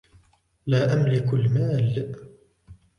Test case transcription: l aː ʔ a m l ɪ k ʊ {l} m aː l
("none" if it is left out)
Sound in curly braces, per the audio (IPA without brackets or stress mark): l